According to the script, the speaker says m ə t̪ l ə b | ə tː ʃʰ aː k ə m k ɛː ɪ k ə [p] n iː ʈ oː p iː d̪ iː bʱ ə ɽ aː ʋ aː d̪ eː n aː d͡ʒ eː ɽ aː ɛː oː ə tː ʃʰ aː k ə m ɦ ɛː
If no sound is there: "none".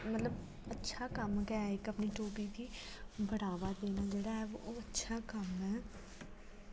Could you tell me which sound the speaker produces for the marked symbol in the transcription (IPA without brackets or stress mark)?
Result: p